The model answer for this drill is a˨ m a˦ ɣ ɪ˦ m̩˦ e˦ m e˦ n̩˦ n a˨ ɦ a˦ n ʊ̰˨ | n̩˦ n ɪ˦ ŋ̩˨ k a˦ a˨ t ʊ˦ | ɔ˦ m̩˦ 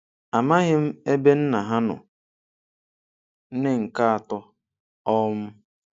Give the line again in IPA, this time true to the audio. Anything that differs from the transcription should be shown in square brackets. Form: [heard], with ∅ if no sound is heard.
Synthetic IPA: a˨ m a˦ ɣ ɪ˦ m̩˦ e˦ [b] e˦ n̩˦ n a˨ ɦ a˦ n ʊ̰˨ | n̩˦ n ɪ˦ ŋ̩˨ k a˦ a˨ t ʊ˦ | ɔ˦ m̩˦